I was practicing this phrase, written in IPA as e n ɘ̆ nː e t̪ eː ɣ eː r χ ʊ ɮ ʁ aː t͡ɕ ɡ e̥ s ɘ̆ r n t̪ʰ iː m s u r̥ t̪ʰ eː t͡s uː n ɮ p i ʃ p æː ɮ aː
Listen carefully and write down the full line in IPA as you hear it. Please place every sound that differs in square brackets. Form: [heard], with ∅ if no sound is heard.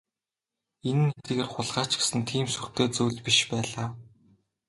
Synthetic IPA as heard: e n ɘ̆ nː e t̪ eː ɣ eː r χ ʊ ɮ ʁ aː t͡ɕ ɡ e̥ s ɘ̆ [∅] n t̪ʰ iː m s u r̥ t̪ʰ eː t͡s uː [∅] ɮ p i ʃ p æː ɮ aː